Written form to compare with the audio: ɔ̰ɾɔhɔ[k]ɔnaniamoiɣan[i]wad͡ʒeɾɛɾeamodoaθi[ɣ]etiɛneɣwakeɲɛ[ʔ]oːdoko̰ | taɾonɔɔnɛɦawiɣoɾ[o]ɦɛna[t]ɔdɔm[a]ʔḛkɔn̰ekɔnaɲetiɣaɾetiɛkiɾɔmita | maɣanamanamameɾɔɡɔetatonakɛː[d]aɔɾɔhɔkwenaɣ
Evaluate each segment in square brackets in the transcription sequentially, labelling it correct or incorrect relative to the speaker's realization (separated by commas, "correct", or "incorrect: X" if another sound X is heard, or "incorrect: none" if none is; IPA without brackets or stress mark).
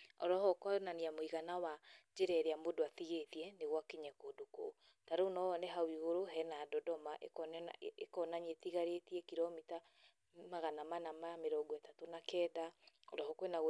correct, incorrect: a, correct, incorrect: k, correct, incorrect: d, correct, correct